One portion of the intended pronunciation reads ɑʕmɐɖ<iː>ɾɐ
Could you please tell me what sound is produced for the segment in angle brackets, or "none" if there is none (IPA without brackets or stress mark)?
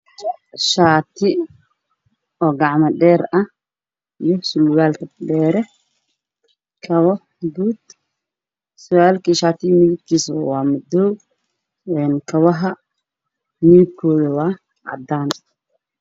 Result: ɛː